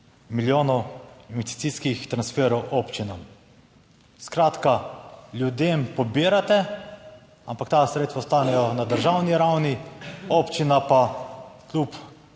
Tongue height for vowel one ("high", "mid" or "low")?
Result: high